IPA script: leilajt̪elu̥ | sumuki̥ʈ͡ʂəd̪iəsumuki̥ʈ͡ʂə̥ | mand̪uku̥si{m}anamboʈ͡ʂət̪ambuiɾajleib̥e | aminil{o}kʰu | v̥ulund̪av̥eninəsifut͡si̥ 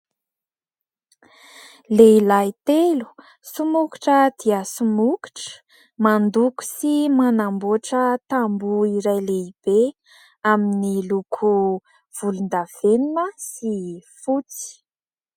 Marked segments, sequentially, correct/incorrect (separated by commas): correct, incorrect